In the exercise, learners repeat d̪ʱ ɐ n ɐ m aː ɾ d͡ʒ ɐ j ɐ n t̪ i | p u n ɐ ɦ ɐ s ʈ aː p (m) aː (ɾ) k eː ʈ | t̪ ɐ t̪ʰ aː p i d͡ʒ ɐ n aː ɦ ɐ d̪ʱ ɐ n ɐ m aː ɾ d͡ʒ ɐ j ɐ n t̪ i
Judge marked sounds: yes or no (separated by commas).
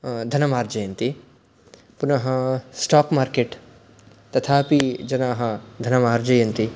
yes, yes